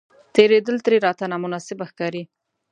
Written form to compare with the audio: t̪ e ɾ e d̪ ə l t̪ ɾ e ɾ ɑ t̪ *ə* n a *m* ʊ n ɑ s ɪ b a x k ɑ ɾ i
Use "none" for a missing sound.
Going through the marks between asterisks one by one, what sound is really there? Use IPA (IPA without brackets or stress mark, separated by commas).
a, m